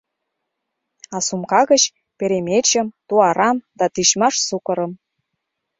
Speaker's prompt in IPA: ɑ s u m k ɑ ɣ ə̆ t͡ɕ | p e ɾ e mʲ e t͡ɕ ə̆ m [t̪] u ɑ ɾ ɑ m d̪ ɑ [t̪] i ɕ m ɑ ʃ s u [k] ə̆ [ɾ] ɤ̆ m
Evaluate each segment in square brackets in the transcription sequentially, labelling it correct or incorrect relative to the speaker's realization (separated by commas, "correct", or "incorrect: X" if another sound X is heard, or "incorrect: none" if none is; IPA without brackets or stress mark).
correct, correct, correct, correct